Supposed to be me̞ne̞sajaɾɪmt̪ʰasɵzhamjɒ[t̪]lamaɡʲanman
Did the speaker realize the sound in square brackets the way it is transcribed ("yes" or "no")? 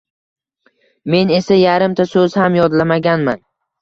no